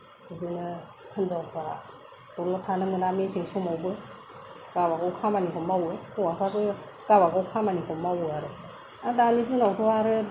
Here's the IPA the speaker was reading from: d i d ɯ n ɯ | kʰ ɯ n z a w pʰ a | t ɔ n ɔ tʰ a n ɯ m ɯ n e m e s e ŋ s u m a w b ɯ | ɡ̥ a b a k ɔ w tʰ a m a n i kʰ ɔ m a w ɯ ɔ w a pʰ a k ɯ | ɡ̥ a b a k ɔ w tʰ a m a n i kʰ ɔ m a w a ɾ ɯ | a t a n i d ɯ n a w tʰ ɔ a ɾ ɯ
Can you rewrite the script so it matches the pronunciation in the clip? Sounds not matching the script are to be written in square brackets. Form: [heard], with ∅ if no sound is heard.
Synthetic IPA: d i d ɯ n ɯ | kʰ ɯ n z a w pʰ a | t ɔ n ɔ tʰ a n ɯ m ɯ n [a] m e s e ŋ s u m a w b ɯ | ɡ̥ a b a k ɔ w [kʰ] a m a n i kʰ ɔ m a w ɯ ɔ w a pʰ a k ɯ | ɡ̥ a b a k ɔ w [kʰ] a m a n i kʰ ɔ m a w a ɾ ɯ | a [d] a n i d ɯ n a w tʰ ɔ a ɾ ɯ

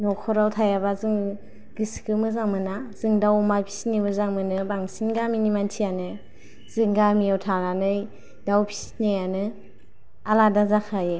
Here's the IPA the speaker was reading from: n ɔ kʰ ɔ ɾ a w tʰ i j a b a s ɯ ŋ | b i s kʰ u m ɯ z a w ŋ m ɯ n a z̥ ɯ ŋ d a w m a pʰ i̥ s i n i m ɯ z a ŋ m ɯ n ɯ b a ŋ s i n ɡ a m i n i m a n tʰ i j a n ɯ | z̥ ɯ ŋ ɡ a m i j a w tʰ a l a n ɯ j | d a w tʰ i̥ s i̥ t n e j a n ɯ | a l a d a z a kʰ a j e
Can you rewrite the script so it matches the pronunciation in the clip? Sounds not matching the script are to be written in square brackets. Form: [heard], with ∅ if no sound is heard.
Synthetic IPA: n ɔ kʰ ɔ ɾ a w tʰ [a] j a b a [z] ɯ ŋ | [ɡ] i s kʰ [ɯ] m ɯ z a [∅] ŋ m ɯ n a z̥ ɯ ŋ d a w m a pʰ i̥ s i n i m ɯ z a ŋ m ɯ n ɯ b a ŋ s i n ɡ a m i n i m a n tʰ i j a n ɯ | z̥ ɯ ŋ ɡ a m i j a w tʰ a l a n ɯ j | d a w [pʰ] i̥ s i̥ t n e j a n ɯ | a l a d a z a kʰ a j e

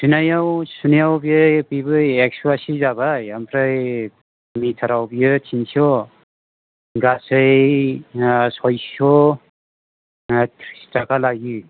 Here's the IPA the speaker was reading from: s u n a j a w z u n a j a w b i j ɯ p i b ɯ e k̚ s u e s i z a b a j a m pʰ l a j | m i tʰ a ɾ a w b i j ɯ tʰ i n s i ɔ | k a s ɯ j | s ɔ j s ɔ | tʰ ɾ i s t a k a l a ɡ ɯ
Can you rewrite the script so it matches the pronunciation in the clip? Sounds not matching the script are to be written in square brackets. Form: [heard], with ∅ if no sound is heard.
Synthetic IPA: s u n a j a w [s] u n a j a w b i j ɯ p i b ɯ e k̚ s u [a] s i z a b a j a m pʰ [ɾ] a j | m i tʰ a ɾ a w b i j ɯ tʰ i n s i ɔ | [ɡ] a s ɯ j | s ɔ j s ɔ | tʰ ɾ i s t a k a l a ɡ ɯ

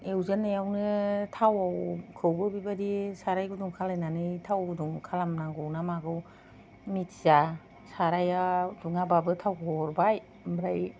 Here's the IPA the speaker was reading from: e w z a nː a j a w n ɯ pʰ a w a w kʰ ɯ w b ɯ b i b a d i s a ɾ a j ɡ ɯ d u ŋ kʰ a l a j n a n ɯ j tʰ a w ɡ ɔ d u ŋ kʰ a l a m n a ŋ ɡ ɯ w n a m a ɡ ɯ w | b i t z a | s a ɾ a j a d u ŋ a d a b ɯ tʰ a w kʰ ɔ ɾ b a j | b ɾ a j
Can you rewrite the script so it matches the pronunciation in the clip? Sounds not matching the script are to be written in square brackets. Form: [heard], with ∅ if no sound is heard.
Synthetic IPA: e w z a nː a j a w n ɯ [tʰ] a w a w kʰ ɯ w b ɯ b i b a d i s a ɾ a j ɡ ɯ d u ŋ kʰ a l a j n a n ɯ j tʰ a w ɡ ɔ d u ŋ kʰ a l a m n a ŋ ɡ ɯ w n a m a ɡ ɯ w | [m] i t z a | s a ɾ a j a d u ŋ a [b] a b ɯ tʰ a w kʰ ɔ ɾ b a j | b ɾ a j

